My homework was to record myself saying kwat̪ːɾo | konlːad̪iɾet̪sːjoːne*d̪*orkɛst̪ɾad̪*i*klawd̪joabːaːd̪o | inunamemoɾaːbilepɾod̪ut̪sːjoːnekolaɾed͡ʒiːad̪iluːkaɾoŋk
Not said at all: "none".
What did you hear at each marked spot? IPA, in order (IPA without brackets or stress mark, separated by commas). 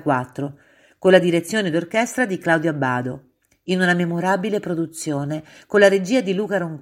d̪, i